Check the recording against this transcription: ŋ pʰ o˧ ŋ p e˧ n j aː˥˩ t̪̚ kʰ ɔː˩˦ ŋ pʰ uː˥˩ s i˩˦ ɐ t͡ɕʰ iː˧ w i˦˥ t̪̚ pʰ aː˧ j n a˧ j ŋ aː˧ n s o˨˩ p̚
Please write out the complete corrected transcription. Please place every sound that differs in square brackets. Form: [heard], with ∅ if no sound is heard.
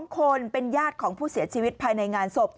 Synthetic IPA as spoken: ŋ [kʰ] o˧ [n] p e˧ n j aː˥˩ t̪̚ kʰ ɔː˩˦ ŋ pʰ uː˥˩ s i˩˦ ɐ t͡ɕʰ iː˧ w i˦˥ t̪̚ pʰ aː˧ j n a˧ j ŋ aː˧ n s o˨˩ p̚